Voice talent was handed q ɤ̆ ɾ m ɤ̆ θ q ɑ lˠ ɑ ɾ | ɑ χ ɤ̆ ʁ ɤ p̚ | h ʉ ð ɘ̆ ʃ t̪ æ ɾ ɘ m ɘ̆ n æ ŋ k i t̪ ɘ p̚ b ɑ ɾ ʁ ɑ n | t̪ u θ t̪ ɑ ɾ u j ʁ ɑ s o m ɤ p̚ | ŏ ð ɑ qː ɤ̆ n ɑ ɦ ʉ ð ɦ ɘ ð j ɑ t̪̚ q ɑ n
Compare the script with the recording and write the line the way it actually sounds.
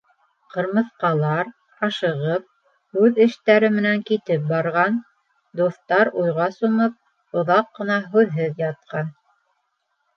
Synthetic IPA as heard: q ɤ̆ ɾ m ɤ̆ θ q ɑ lˠ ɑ ɾ | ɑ ʃ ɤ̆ ʁ ɤ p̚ | h ʉ ð ɘ̆ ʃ t̪ æ ɾ ɘ m ɘ̆ n æ ŋ k i t̪ ɘ p̚ b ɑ ɾ ʁ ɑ n | d̪ u θ t̪ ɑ ɾ u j ʁ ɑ s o m ɤ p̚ | ŏ ð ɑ qː ɤ̆ n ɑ ɦ ʉ ð ɦ ɘ ð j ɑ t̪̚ q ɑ n